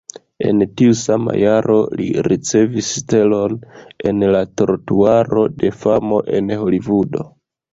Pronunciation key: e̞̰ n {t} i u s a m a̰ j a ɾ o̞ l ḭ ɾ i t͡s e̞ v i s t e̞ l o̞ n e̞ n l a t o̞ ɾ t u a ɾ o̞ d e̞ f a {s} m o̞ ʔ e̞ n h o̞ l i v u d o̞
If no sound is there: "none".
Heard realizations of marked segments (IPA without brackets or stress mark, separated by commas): t, none